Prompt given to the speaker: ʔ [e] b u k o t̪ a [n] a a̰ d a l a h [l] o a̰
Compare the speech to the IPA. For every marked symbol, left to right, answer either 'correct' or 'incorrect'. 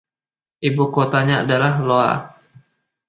incorrect: i, incorrect: ɲ, correct

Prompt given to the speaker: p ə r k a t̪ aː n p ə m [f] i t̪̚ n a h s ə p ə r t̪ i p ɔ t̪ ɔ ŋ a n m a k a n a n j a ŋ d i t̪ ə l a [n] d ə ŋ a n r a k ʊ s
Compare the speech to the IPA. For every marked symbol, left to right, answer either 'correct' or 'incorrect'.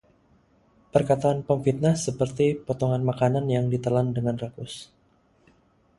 correct, correct

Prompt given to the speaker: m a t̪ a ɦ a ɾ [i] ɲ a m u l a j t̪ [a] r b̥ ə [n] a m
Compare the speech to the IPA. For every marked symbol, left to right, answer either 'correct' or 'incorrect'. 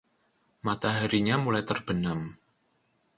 correct, incorrect: ə, correct

